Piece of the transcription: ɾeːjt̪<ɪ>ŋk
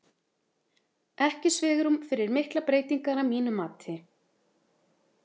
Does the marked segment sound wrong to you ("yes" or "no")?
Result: yes